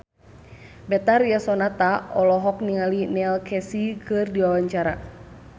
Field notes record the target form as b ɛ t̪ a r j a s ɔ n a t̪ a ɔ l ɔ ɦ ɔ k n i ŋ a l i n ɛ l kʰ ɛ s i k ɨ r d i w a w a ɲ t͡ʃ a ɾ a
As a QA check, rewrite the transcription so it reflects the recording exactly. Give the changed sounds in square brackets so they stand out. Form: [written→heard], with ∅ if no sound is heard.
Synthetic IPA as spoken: b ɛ t̪ a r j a s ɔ n a t̪ a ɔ l ɔ ɦ ɔ k n i ŋ a l i n ɛ l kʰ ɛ s i k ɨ r d i w a w a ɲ t͡ʃ a ɾ a